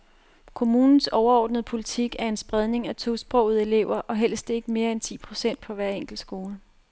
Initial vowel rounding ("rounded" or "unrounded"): rounded